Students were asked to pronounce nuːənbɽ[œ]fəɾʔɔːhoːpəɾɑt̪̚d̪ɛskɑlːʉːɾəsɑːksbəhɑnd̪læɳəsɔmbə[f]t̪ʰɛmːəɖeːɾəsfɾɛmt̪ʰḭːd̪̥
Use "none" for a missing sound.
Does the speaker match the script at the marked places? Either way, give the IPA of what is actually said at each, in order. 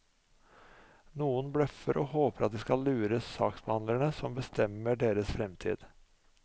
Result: œ, s

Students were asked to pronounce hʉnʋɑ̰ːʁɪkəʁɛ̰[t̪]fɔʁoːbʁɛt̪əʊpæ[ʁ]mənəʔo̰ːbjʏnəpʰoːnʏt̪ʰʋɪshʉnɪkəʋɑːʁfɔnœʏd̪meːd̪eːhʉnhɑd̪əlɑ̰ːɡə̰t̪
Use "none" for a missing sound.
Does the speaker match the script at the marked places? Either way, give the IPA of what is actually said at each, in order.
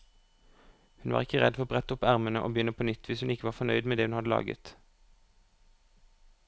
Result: d̪, ʁ

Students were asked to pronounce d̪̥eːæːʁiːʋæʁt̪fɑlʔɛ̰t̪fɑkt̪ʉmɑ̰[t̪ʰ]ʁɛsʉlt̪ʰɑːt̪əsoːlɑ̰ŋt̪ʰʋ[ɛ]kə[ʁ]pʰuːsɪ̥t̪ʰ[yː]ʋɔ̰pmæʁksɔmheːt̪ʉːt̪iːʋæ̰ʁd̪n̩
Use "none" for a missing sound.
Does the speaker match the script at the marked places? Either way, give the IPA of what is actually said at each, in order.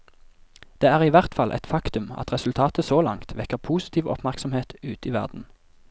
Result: t̪, ɛ, ʁ, iː

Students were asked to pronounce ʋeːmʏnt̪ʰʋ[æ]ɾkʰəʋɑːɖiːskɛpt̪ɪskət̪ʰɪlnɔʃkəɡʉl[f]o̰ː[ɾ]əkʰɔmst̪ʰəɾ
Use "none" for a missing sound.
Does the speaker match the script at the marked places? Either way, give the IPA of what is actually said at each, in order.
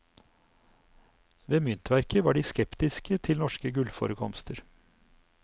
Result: æ, f, ɾ

